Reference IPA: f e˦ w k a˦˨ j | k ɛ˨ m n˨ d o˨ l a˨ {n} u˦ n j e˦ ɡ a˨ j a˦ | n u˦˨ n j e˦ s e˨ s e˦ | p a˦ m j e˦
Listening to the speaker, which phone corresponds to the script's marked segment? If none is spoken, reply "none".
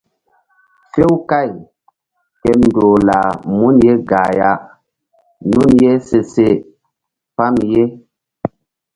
m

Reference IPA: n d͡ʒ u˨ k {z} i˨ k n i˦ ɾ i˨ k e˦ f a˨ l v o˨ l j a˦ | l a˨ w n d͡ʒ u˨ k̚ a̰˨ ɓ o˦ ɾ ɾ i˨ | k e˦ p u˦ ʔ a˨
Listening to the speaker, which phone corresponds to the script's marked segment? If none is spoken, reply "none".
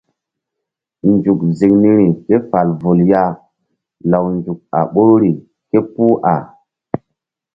z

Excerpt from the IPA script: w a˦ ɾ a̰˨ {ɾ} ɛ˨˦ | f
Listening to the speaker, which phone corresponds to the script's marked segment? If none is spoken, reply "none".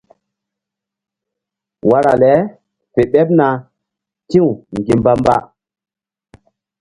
l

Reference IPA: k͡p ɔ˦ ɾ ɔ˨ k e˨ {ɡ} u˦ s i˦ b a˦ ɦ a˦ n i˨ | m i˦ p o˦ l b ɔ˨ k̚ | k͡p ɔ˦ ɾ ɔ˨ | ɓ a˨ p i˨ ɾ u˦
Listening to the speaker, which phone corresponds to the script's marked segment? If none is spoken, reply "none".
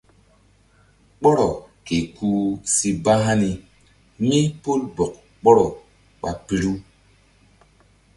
k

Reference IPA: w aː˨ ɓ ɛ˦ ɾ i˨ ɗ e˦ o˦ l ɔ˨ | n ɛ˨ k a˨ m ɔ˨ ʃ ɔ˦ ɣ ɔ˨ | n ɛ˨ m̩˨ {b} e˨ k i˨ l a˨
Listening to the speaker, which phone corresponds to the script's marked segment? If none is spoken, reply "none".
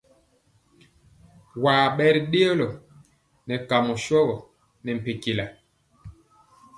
p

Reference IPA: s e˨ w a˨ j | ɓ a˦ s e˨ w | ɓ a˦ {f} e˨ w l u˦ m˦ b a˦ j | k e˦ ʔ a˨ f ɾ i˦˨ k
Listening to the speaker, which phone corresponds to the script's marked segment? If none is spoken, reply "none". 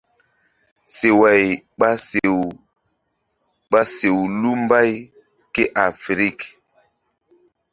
s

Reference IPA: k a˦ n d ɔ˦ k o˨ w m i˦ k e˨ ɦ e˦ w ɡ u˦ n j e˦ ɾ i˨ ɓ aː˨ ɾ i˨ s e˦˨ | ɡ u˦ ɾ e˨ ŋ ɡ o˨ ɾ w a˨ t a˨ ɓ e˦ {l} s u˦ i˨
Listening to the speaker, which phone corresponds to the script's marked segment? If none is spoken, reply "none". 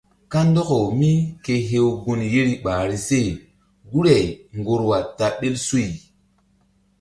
l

